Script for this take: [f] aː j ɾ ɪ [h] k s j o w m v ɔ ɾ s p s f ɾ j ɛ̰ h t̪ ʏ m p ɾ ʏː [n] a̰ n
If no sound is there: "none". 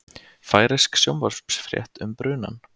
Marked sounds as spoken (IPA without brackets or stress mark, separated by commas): f, s, n